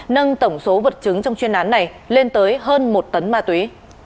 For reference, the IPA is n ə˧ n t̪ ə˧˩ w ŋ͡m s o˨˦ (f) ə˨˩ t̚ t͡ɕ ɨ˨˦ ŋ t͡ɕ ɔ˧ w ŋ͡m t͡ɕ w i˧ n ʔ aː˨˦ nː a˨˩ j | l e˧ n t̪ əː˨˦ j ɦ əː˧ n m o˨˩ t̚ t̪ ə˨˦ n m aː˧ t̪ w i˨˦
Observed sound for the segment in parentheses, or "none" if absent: v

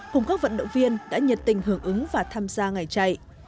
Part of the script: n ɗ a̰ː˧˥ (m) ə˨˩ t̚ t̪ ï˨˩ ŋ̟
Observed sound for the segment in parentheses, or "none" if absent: ɲ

